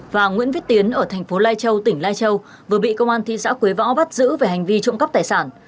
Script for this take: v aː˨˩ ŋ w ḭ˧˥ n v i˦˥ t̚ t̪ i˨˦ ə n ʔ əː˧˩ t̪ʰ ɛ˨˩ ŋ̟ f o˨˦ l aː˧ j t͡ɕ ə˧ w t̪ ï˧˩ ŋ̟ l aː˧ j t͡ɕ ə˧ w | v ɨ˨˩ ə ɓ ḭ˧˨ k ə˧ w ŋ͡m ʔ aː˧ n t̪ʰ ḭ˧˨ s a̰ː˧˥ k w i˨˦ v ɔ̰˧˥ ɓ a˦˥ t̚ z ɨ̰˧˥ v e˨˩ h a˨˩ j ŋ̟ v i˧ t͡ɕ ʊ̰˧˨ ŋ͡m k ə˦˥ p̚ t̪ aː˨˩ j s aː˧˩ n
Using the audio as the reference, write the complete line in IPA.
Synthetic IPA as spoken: v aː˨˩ ŋ w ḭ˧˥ n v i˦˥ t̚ t̪ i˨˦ ə n ʔ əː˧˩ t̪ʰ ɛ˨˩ ŋ̟ f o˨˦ l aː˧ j t͡ɕ ə˧ w t̪ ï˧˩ ŋ̟ l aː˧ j t͡ɕ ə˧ w | v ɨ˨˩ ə ɓ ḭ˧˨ k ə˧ w ŋ͡m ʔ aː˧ n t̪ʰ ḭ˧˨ s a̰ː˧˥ k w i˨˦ v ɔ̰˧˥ ɓ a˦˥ t̚ z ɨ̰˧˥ v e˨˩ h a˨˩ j ŋ̟ v i˧ t͡ɕ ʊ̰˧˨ ŋ͡m k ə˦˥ p̚ t̪ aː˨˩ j s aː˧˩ n

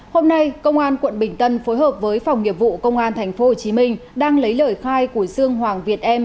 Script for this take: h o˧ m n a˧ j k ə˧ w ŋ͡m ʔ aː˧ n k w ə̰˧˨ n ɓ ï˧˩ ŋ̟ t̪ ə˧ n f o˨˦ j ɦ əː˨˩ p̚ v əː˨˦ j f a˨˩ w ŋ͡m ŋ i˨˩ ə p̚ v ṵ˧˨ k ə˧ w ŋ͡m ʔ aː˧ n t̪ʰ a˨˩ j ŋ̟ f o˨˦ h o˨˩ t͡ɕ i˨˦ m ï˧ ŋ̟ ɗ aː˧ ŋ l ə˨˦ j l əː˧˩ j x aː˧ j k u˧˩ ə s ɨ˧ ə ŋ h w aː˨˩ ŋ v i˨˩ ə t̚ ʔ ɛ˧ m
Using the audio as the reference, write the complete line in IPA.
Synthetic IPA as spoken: h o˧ m n a˧ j k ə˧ w ŋ͡m ʔ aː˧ n k w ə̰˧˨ n ɓ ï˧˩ ŋ̟ t̪ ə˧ n f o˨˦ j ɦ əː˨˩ p̚ v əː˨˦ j f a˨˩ w ŋ͡m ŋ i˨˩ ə p̚ v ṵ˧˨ k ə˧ w ŋ͡m ʔ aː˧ n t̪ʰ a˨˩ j ŋ̟ f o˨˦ h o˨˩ t͡ɕ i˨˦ m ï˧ ŋ̟ ɗ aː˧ ŋ l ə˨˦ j l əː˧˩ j x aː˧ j k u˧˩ ə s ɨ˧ ə ŋ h w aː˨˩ ŋ v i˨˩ ə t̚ ʔ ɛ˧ m

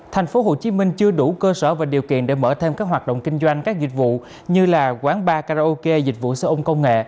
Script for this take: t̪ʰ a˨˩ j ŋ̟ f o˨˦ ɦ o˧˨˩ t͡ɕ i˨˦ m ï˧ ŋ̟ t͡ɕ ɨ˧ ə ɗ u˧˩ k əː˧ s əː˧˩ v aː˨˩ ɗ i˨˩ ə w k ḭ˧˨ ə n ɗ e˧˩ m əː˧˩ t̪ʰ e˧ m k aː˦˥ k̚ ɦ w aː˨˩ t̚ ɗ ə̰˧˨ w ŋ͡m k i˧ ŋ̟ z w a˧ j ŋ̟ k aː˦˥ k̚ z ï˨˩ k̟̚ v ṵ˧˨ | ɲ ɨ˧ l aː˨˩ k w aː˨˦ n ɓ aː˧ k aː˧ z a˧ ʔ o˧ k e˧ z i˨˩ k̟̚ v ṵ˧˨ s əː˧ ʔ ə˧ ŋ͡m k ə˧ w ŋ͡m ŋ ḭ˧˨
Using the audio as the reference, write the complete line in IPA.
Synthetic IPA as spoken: t̪ʰ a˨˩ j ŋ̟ f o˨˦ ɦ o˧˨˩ t͡ɕ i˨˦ m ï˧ ŋ̟ t͡ɕ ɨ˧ ə ɗ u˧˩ k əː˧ s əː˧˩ v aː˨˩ ɗ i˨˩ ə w k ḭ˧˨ ə n ɗ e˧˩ m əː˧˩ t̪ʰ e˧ m k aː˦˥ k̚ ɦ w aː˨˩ t̚ ɗ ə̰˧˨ w ŋ͡m k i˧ ŋ̟ z w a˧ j ŋ̟ k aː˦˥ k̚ z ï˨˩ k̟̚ v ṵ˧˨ | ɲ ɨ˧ l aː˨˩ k w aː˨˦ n ɓ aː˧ k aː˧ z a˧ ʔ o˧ k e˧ z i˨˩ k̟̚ v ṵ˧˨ s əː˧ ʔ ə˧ ŋ͡m k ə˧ w ŋ͡m ŋ ḛ˧˨

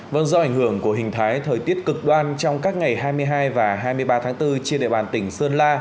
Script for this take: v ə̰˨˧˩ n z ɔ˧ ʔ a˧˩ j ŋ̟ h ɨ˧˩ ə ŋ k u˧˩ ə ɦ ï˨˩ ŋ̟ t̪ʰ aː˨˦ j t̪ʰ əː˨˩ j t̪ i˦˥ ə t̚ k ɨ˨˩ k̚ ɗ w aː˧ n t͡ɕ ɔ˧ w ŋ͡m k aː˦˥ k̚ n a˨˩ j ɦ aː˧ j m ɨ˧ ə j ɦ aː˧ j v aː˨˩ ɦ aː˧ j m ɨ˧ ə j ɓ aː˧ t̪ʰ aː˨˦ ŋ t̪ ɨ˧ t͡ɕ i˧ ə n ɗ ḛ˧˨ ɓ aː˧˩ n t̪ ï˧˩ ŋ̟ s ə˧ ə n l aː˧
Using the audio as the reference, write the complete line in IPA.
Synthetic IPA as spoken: v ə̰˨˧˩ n z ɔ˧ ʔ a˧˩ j ŋ̟ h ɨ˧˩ ə ŋ k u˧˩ ə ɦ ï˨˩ ŋ̟ t̪ʰ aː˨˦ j t̪ʰ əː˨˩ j t̪ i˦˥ ə t̚ k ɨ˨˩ k̚ ɗ w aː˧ n t͡ɕ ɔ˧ w ŋ͡m k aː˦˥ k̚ ŋ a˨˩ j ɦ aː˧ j m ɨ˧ ə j ɦ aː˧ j v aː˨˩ ɦ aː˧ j m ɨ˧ ə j ɓ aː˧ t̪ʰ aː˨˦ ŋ t̪ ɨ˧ t͡ɕ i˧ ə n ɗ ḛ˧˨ ɓ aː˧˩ n t̪ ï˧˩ ŋ̟ s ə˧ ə n l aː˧

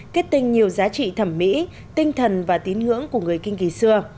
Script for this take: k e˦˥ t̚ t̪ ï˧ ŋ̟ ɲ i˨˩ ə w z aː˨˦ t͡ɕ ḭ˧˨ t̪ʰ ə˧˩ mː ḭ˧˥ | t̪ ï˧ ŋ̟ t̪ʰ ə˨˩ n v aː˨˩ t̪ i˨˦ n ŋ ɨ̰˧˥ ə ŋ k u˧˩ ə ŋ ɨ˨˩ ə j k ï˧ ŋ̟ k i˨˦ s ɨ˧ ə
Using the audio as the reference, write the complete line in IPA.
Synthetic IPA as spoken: k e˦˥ t̚ t̪ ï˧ ŋ̟ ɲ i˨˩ ə w z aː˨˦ t͡ɕ ḭ˧˨ t̪ʰ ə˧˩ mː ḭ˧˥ | t̪ ï˧ ŋ̟ t̪ʰ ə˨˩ n v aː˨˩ t̪ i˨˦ n ŋ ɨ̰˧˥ ə ŋ k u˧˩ ə ŋ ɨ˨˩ ə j k ï˧ ŋ̟ k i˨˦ s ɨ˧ ə

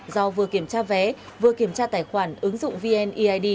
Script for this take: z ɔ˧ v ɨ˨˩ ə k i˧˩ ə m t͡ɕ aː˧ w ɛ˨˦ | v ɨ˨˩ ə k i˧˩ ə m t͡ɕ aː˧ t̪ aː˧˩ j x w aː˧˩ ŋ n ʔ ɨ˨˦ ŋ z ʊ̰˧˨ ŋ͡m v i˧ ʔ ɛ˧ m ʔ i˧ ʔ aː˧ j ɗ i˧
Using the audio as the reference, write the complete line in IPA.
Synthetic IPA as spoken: z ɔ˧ v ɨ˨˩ ə k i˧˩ ə m t͡ɕ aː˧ v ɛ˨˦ | v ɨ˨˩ ə k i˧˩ ə m t͡ɕ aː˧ t̪ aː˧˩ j x w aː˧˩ n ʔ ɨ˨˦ ŋ z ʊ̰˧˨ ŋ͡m v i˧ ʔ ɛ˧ n ʔ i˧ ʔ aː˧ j ɗ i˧

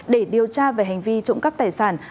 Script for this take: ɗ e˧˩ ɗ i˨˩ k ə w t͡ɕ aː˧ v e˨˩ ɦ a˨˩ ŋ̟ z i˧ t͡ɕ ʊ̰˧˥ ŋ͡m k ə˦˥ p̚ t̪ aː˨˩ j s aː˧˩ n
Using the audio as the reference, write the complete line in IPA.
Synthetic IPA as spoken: ɗ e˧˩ ɗ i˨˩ ə w t͡ɕ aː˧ v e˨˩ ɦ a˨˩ ŋ̟ v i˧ t͡ɕ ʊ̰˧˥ ŋ͡m k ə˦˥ p̚ t̪ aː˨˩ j s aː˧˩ n

